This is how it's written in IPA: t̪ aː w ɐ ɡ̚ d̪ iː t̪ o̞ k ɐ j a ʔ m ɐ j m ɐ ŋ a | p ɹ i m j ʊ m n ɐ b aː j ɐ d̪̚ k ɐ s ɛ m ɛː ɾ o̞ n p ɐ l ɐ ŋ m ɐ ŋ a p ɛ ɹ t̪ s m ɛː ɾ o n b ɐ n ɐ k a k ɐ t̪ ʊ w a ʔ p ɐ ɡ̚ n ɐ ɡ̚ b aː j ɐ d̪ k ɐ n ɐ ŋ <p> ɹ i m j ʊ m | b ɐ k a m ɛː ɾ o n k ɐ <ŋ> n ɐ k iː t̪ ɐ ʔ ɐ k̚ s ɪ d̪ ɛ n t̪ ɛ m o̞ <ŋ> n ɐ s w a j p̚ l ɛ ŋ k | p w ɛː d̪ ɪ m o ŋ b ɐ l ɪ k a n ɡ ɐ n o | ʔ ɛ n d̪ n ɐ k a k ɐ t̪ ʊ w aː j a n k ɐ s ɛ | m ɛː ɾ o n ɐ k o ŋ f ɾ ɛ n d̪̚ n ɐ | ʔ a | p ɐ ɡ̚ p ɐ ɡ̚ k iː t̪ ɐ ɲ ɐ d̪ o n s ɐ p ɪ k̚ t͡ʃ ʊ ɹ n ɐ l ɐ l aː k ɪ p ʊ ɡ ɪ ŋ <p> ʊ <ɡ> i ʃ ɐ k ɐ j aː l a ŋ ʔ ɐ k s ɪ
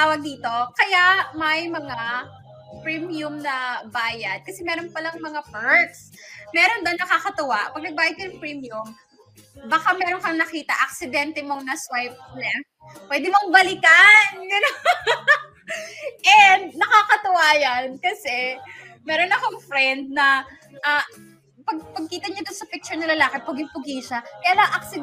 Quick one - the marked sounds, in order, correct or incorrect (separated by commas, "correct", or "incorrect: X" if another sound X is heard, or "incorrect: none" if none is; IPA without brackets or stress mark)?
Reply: correct, correct, correct, correct, correct